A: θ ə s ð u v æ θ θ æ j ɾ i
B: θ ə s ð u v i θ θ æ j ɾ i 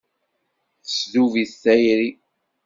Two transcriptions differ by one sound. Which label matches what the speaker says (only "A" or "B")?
B